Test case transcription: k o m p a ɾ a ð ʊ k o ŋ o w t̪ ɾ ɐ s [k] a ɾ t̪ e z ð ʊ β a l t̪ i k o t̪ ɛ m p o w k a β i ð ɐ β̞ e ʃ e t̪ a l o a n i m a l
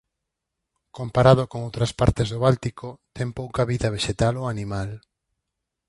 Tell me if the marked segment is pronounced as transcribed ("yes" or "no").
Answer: no